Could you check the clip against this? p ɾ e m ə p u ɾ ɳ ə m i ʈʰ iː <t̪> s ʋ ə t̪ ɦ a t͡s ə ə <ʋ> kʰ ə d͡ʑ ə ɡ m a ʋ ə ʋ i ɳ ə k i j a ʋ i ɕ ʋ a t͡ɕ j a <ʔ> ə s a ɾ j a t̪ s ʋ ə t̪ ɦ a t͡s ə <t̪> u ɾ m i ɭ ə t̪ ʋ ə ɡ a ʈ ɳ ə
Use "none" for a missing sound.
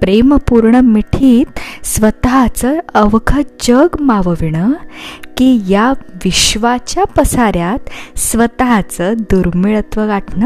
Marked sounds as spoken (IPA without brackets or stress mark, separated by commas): t̪, ʋ, p, d̪